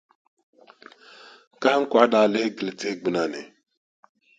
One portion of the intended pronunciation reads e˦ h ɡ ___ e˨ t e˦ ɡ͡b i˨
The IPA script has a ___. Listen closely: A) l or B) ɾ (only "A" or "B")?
A